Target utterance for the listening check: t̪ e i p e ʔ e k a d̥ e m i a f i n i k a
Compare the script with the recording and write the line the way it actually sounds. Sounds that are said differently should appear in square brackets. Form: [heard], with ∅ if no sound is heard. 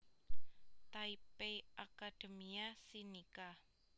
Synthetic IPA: t̪ [a] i p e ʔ [a] k a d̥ e m i a [s] i n i k a